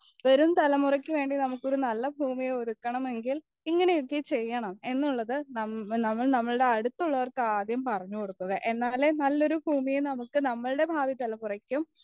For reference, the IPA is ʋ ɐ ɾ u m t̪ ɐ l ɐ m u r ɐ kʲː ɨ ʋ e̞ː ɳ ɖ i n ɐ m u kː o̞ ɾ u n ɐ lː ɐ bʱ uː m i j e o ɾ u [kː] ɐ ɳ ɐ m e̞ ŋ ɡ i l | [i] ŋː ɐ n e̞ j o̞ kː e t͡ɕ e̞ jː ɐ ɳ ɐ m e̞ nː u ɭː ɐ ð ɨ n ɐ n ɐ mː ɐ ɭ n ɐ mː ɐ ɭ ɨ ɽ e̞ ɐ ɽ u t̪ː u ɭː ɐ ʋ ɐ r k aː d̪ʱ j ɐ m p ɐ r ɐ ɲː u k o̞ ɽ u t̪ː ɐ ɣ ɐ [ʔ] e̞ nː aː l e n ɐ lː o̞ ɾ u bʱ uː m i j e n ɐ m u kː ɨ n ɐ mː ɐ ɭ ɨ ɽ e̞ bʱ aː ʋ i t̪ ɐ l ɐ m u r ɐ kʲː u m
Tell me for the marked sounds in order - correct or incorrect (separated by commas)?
correct, correct, correct